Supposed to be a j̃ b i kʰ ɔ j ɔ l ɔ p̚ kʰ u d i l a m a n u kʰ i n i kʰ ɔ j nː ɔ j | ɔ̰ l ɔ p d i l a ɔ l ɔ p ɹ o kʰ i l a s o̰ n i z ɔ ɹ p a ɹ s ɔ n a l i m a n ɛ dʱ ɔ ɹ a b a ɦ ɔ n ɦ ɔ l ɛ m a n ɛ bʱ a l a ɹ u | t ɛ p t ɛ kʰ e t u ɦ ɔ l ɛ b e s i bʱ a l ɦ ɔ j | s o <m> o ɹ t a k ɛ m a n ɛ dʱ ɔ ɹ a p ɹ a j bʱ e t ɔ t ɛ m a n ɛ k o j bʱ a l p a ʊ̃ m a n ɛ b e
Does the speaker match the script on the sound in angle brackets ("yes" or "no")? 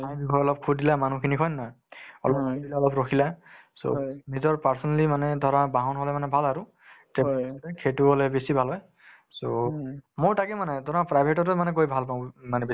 yes